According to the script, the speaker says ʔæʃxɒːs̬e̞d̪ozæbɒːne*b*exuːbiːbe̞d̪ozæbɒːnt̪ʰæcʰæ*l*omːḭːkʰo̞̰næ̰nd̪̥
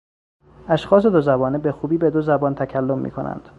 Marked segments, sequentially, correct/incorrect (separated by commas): correct, incorrect